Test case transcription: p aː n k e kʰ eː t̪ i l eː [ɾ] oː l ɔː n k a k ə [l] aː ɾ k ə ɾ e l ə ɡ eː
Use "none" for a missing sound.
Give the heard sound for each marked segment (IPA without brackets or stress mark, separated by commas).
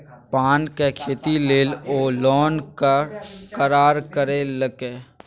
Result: l, ɾ